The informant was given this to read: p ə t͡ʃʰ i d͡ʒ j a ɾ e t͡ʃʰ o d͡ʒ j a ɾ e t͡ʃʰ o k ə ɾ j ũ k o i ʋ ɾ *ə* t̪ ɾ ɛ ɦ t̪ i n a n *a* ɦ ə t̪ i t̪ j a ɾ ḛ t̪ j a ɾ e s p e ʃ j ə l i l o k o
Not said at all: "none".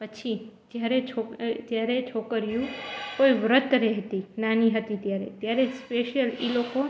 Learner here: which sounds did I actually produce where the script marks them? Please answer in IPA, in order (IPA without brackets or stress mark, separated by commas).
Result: ə, i